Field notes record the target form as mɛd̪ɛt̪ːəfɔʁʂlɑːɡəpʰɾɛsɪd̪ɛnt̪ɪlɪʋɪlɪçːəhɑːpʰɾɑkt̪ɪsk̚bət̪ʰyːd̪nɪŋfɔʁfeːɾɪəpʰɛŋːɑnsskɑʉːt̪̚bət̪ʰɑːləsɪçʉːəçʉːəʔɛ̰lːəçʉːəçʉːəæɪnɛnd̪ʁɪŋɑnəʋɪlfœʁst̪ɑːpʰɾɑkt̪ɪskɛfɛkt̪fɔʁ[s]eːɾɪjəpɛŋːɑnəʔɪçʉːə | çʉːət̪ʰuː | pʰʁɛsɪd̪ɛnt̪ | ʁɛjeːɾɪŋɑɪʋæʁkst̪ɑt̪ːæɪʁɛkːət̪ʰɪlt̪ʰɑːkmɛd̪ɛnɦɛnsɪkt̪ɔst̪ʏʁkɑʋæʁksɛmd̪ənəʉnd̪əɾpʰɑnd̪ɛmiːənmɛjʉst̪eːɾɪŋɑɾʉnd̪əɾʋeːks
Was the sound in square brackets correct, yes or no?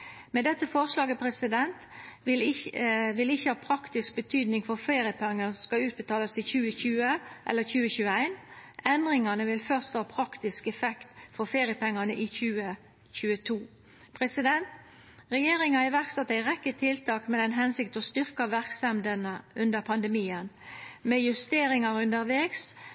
no